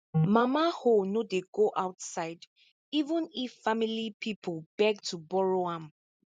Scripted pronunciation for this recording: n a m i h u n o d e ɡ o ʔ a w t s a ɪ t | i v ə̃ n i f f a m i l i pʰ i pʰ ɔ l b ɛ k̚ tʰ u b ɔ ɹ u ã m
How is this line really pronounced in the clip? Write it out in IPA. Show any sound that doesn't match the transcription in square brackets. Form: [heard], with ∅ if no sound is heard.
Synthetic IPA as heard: [m] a m [a] h [o] n o d e ɡ o ʔ a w t s a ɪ [d] | i v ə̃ n i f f a m i l i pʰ i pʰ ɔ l b ɛ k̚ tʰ u b ɔ ɹ [o] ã m